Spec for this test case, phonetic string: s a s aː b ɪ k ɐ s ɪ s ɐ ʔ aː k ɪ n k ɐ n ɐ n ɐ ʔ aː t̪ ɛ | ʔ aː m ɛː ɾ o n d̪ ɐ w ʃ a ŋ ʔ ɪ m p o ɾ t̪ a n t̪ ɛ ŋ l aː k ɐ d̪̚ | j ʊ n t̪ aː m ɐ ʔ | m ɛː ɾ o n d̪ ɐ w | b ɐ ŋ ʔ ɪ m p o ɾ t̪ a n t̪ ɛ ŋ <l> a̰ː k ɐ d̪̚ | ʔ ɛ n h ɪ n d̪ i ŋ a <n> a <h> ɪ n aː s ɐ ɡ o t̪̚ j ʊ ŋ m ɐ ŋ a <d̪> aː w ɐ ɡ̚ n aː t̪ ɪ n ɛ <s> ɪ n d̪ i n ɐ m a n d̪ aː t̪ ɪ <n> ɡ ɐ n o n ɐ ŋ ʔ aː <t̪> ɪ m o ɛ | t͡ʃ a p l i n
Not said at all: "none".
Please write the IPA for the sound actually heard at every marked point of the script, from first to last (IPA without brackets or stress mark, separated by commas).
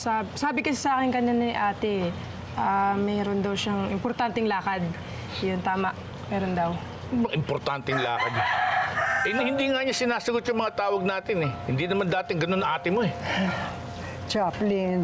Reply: l, ɲ, s, t̪, h, ŋ, t̪